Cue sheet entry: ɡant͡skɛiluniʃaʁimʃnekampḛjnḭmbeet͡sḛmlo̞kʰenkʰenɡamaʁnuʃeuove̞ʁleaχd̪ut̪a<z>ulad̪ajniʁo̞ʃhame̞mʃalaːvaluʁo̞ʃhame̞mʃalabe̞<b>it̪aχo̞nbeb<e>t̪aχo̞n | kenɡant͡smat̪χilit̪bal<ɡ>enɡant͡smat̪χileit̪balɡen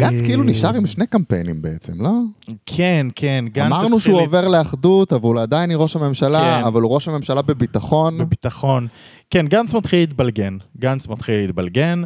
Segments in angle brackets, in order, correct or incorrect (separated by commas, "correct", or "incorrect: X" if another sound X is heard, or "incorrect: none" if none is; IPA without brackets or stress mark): incorrect: v, correct, incorrect: i, correct